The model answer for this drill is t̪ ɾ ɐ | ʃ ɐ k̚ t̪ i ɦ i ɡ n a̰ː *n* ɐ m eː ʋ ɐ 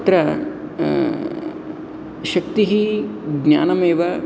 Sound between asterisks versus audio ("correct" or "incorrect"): correct